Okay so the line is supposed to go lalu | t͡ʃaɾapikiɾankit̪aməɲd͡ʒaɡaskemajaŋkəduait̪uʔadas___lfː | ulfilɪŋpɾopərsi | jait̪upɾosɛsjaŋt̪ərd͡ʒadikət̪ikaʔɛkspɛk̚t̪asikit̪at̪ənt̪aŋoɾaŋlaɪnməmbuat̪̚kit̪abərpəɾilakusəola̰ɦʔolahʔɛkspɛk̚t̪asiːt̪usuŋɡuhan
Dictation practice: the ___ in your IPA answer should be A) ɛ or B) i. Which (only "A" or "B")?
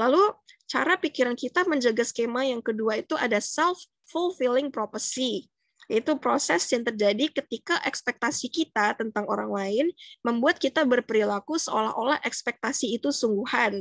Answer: A